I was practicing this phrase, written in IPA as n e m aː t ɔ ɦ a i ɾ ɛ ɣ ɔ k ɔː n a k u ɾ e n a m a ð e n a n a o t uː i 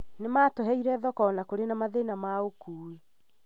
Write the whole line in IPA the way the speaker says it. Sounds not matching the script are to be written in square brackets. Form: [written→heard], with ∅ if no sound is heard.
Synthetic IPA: n e m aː t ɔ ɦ [a→ɛ] i ɾ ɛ [ɣ→ð] ɔ k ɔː n a k [u→o] ɾ e n a m a ð e n a [n→m] a o [t→k] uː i